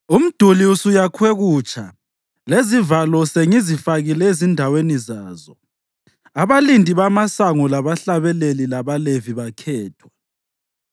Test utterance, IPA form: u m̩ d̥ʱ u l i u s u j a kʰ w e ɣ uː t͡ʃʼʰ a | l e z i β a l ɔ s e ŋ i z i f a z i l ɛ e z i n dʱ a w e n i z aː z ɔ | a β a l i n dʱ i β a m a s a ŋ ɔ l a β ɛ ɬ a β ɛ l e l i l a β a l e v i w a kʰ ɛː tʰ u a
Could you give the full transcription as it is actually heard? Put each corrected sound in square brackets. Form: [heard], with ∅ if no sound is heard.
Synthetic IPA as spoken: u m̩ d̥ʱ u l i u s u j a kʰ w e ɣ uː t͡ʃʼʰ a | l e z i [v] a l ɔ s e ŋ i z i f a [ɣ] i l ɛ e z i n dʱ a w e n i z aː z ɔ | a β a l i n dʱ i β a m a s a ŋ ɔ l a β [a] ɬ a β ɛ l e l i l a β a l e v i [β] a kʰ ɛː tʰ [w] a

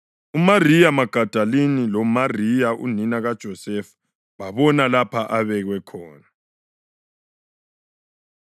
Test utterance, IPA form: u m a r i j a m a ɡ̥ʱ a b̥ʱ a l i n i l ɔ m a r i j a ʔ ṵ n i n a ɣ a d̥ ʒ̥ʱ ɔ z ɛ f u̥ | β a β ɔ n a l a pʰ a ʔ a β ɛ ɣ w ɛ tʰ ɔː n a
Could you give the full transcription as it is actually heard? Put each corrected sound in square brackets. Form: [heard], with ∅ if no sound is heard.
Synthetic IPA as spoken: u m a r i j a m a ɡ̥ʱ a [d̥ʱ] a l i n i l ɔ m a r i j a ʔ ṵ n i n a ɣ a d̥ ʒ̥ʱ ɔ [s] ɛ f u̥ | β a β ɔ n a l a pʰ a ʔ a β ɛ ɣ w ɛ [kʰ] ɔː n a

